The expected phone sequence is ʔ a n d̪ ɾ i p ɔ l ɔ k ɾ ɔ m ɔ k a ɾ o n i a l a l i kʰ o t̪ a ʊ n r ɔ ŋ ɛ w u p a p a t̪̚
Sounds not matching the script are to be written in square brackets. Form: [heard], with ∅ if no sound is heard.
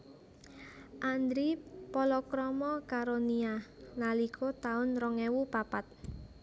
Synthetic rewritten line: ʔ a n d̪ ɾ i p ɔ l ɔ k ɾ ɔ m ɔ k a ɾ o n i a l a l i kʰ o t̪ a ʊ n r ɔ ŋ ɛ w u p a p a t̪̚